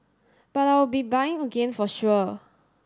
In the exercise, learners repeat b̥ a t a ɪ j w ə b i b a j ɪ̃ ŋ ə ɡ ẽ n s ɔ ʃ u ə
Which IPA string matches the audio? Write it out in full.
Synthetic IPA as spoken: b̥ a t a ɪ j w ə b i b a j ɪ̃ ŋ ə ɡ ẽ n f ɔ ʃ u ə